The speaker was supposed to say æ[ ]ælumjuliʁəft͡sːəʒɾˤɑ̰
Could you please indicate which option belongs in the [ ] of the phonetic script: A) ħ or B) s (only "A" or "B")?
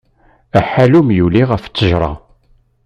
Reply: A